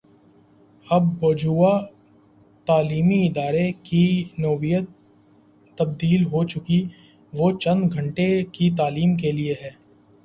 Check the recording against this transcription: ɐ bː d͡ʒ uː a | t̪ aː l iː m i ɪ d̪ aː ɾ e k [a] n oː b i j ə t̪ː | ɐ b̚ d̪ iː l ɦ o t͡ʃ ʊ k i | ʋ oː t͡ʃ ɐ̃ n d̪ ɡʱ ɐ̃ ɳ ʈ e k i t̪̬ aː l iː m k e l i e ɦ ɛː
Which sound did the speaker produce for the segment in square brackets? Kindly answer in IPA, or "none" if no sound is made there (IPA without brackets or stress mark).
i